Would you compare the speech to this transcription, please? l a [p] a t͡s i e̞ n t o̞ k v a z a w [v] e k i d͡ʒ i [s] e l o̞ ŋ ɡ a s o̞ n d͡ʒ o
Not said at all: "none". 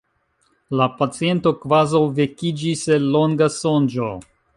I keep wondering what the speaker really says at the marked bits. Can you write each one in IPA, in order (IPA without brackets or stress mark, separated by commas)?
p, v, s